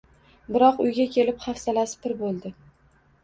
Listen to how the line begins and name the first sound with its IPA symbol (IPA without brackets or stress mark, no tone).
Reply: b